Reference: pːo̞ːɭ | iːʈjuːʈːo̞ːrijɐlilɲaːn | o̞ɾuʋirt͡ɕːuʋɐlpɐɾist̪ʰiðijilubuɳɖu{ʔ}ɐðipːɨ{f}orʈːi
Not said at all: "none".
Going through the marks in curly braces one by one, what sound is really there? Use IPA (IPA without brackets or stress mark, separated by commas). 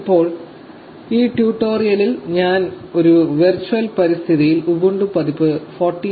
p, f